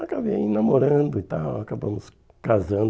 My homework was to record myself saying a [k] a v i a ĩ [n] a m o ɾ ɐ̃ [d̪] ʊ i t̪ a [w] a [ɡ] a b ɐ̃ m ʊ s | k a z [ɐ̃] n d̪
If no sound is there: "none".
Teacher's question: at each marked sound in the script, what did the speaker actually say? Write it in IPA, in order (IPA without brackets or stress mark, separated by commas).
k, n, d̪, w, k, ɐ̃